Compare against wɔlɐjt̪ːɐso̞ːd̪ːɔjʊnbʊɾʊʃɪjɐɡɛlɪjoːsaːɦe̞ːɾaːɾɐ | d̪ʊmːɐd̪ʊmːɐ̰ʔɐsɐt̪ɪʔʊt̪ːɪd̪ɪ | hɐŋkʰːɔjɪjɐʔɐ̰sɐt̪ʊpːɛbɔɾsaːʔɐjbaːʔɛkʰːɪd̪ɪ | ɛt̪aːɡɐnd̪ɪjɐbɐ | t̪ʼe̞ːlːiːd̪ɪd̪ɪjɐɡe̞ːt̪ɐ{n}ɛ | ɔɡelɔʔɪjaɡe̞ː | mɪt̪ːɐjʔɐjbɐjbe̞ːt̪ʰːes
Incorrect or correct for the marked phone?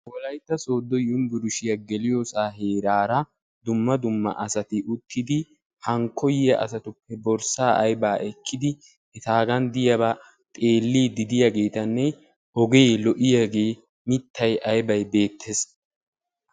incorrect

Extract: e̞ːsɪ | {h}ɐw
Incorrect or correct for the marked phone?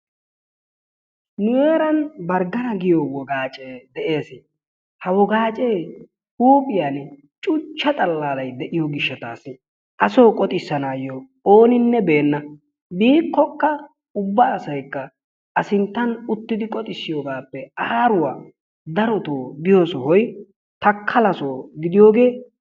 correct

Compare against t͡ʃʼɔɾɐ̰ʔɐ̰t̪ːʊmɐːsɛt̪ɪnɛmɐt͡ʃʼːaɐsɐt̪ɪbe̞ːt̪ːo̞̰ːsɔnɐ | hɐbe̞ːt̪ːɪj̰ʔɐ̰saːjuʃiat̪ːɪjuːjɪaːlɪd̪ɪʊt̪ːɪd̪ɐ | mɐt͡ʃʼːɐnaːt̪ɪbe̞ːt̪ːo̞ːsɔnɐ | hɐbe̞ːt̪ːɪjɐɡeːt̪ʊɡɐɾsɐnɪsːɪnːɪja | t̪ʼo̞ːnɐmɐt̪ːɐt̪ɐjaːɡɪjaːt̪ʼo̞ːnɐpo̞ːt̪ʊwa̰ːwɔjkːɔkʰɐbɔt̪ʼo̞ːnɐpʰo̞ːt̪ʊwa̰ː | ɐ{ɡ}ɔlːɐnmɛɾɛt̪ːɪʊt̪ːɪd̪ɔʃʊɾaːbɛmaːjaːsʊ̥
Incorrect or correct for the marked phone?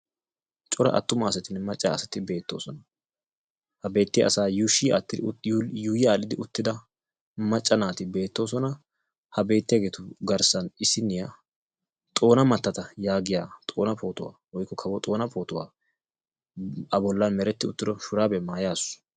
incorrect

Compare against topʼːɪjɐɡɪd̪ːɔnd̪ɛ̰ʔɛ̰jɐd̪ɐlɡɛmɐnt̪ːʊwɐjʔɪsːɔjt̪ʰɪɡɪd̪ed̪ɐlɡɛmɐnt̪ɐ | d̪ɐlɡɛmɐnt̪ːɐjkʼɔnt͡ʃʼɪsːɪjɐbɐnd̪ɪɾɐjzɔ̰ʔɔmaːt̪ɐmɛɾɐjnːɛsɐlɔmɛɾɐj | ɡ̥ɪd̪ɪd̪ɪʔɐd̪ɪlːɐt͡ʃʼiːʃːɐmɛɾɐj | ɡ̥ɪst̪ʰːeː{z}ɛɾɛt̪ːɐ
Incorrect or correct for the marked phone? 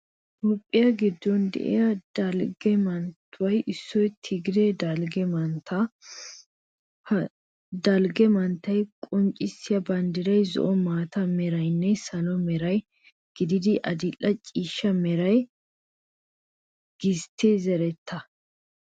correct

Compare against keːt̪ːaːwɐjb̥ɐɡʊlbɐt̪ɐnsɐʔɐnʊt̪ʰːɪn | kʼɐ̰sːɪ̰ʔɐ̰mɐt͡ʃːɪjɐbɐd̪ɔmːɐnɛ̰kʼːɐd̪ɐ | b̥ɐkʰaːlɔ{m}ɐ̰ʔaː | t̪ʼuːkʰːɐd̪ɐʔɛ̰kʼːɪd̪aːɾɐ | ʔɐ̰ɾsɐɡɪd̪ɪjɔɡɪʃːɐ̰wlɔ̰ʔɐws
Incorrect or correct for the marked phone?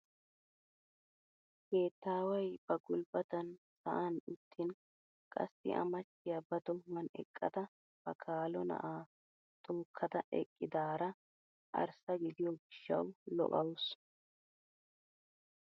incorrect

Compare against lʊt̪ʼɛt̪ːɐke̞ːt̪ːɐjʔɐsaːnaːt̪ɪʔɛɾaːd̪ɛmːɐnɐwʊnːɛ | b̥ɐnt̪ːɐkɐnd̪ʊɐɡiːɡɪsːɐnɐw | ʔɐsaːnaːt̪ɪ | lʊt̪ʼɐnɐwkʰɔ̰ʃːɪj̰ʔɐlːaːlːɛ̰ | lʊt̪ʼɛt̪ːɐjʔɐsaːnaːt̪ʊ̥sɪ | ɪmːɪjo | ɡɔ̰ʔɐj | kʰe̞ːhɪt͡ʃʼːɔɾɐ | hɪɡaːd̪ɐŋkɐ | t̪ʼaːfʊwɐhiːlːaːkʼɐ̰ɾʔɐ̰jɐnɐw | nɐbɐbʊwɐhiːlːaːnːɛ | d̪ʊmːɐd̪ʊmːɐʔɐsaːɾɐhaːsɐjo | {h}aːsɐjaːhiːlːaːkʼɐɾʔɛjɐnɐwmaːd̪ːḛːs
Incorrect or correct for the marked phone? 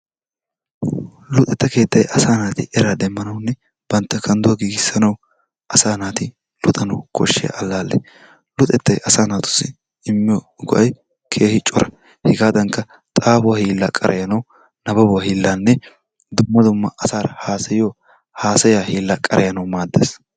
correct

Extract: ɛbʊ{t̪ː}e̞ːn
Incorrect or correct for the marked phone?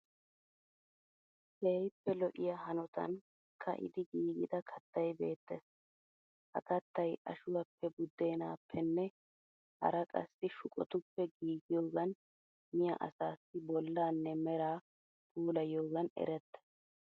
incorrect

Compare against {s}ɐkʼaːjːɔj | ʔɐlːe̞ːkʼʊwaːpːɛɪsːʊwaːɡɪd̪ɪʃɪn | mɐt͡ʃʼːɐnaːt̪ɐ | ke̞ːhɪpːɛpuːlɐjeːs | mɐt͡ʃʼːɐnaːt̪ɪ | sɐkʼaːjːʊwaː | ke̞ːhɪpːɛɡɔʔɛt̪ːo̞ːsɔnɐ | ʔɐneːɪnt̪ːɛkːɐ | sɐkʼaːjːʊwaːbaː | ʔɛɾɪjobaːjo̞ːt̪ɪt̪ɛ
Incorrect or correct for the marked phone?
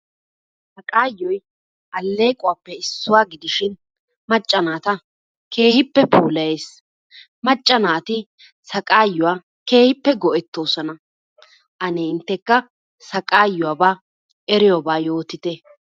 correct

